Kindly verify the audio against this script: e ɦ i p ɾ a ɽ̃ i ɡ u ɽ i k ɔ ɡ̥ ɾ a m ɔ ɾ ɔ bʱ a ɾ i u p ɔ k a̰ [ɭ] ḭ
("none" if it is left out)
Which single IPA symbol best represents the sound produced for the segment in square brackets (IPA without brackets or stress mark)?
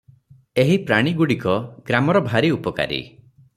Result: ɾ